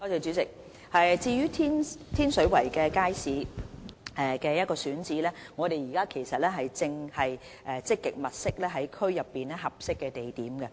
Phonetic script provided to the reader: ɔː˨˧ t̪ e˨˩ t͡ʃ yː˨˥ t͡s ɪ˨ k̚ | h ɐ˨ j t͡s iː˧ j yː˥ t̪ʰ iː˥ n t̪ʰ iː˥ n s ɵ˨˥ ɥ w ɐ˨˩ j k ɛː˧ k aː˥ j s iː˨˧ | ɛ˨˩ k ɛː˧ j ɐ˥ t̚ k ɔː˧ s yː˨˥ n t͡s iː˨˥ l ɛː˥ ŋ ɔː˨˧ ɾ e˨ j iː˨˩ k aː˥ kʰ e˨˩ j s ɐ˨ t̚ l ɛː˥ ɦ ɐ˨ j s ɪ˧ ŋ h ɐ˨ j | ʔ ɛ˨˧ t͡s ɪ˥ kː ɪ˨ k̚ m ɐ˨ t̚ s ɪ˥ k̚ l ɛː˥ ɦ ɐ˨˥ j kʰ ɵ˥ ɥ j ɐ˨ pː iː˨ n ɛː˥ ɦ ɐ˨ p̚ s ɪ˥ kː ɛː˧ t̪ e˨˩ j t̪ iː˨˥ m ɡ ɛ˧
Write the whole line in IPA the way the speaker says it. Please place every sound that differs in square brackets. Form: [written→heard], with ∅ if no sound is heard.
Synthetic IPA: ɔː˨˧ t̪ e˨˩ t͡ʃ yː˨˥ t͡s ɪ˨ k̚ | h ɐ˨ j t͡s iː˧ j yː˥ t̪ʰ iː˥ n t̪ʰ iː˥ n s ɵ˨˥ ɥ w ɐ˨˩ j k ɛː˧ k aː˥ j s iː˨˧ | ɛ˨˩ k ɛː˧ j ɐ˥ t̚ k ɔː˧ s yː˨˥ n t͡s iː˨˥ l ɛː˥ ŋ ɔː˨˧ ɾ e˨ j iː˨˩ k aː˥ kʰ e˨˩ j s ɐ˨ t̚ l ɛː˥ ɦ ɐ˨ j [s→t͡s] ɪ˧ ŋ h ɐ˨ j | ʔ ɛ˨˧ t͡s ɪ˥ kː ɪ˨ k̚ m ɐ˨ t̚ s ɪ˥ k̚ l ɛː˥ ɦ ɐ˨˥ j kʰ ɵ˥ ɥ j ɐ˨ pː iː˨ n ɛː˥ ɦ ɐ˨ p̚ s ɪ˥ kː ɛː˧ t̪ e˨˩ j t̪ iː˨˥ m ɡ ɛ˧

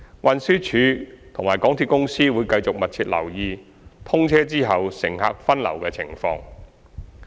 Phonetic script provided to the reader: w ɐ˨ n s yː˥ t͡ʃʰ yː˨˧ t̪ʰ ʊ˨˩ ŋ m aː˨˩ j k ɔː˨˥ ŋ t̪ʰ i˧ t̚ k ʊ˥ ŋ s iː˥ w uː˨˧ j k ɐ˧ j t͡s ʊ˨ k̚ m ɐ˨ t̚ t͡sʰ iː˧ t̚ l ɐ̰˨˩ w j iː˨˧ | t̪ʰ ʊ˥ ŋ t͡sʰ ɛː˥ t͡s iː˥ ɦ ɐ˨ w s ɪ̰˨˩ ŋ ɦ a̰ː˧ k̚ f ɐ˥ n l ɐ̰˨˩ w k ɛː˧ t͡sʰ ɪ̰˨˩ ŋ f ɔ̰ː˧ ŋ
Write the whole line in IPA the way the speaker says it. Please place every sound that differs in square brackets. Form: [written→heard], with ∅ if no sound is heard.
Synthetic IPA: w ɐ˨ n s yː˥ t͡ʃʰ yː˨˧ t̪ʰ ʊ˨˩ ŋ m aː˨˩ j k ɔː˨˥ ŋ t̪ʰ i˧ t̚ k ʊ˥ ŋ s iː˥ w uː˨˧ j k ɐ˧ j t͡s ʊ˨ k̚ m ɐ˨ t̚ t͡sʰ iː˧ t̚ l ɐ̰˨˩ w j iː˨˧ | t̪ʰ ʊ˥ ŋ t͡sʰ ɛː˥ t͡s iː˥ ɦ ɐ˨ w s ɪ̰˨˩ ŋ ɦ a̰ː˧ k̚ f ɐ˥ n l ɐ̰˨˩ w k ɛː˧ t͡sʰ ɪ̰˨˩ ŋ f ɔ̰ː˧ ŋ

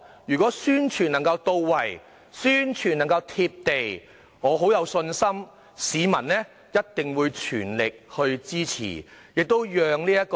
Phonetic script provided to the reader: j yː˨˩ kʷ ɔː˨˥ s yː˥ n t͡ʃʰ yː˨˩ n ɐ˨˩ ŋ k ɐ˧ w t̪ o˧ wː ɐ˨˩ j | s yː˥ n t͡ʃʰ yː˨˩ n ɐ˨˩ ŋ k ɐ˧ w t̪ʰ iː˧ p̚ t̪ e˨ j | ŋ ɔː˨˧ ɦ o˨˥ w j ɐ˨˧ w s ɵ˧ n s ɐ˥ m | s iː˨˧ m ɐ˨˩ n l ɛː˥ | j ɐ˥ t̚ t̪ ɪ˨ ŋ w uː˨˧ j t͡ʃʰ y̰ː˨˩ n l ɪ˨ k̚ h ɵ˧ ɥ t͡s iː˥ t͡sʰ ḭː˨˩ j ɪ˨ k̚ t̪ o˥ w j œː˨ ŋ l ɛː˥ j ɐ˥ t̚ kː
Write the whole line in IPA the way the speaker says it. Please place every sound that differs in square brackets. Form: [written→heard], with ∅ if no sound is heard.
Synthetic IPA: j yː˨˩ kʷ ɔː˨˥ s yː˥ n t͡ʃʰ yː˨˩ n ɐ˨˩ ŋ k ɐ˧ w t̪ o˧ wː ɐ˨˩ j | s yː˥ n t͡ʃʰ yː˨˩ n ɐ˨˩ ŋ k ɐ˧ w t̪ʰ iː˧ p̚ t̪ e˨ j | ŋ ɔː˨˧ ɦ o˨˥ w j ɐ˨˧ w s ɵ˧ n s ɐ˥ m | s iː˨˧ m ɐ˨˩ n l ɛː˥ | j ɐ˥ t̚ t̪ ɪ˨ ŋ w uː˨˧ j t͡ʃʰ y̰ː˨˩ n l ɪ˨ k̚ h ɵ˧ ɥ t͡s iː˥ t͡sʰ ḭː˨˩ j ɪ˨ k̚ t̪ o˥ w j œː˨ ŋ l [ɛː˥→iː˥] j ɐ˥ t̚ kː

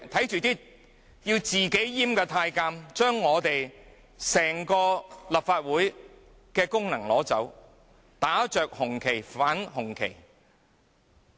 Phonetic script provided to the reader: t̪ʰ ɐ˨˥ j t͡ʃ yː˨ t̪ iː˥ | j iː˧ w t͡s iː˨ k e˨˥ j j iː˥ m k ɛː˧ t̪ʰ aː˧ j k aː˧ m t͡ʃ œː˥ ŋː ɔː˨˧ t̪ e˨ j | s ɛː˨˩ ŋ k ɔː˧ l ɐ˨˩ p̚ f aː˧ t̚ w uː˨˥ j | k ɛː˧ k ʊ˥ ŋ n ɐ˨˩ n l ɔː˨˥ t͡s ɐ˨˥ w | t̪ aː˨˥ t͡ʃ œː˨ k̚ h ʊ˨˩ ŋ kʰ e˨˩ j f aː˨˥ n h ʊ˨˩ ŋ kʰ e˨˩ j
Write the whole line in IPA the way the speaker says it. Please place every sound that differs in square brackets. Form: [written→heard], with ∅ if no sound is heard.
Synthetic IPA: t̪ʰ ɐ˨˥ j t͡ʃ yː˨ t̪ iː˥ | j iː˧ w t͡s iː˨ k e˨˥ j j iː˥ m k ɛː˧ t̪ʰ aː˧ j k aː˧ m t͡ʃ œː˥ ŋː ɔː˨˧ t̪ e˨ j | s ɛː˨˩ ŋ k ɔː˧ l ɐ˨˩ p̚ f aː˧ t̚ w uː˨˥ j | k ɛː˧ k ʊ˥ ŋ n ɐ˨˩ [n→ŋ] l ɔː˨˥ t͡s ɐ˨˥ w | t̪ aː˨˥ t͡ʃ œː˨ k̚ h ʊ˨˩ ŋ kʰ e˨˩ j f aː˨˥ n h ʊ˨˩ ŋ kʰ e˨˩ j

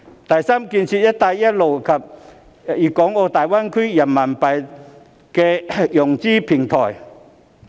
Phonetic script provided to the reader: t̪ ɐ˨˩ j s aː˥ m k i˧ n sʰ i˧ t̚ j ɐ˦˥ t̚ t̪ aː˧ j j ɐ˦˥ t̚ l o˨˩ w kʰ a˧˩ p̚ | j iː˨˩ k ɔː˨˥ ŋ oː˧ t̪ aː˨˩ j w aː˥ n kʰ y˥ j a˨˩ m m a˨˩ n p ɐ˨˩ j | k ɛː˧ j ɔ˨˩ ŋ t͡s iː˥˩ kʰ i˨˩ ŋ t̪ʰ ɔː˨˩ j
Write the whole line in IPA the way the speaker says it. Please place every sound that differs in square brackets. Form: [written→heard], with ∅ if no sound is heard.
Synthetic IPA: t̪ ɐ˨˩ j s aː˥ m k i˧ n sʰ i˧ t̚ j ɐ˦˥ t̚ t̪ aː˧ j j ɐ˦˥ t̚ l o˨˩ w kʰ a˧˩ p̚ | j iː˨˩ k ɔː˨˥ ŋ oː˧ t̪ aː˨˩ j w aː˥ n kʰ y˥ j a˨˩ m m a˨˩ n p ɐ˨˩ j | k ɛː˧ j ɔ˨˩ ŋ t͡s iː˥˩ [kʰ→pʰ] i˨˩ ŋ t̪ʰ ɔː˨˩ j

